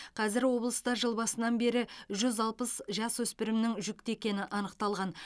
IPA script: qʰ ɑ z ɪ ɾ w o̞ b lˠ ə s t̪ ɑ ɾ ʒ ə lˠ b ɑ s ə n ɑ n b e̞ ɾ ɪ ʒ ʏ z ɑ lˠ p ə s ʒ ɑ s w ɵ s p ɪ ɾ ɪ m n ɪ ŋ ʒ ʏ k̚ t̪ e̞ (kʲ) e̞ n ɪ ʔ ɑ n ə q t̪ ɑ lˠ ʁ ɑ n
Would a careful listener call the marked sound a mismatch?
no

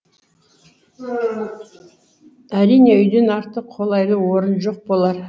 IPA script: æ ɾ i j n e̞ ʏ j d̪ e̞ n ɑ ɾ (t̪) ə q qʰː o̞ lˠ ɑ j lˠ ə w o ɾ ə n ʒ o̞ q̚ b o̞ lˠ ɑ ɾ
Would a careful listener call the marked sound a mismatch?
no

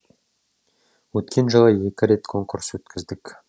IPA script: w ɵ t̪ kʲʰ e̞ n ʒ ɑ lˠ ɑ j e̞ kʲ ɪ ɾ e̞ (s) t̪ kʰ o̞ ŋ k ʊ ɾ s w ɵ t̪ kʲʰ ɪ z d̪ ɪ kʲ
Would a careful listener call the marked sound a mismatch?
yes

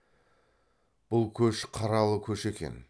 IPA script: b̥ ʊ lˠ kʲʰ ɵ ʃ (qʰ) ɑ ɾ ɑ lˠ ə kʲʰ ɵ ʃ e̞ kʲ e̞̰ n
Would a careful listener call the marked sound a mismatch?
no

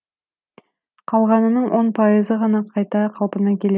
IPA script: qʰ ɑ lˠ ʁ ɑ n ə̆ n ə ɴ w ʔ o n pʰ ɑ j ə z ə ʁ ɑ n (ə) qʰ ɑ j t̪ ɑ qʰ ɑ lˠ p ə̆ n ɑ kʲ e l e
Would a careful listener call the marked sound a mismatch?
yes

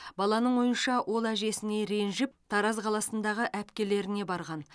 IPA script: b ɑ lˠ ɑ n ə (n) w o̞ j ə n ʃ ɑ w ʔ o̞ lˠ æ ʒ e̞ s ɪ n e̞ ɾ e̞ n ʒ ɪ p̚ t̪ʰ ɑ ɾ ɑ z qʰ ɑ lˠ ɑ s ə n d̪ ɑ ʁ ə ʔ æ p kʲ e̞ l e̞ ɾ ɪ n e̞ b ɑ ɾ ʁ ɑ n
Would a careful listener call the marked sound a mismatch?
yes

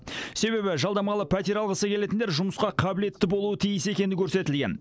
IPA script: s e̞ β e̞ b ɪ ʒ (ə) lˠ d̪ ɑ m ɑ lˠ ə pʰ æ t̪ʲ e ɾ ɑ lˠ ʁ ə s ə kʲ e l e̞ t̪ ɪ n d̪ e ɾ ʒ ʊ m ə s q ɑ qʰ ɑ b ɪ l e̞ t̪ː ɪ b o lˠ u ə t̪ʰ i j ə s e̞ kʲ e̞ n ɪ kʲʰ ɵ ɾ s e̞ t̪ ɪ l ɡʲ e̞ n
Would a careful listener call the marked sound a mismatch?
yes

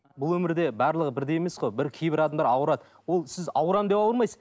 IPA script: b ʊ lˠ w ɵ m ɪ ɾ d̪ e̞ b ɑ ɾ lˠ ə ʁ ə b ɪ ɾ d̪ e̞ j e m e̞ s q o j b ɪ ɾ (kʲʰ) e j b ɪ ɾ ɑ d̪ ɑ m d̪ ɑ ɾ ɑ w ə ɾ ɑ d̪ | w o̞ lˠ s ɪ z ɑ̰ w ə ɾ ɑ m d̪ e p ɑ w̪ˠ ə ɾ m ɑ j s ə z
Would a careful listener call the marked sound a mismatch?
no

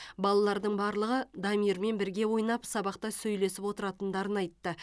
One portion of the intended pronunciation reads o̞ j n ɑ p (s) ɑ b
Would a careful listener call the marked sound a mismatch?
no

